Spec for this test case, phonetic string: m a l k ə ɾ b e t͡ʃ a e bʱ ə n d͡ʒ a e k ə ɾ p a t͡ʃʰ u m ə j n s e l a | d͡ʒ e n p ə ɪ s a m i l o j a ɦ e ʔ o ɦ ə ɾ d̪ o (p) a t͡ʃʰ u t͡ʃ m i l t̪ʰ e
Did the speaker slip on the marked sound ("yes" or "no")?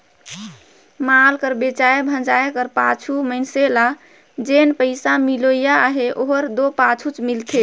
no